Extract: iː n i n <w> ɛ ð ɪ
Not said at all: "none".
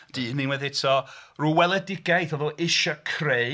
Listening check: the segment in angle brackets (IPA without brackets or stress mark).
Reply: w